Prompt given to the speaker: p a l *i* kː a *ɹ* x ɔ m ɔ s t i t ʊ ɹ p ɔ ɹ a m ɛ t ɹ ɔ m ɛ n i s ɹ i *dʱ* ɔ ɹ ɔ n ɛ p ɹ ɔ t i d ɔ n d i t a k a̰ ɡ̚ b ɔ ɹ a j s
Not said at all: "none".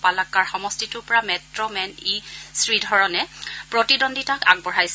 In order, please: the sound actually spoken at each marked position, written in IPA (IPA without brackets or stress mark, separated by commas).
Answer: a, ɹ, dʱ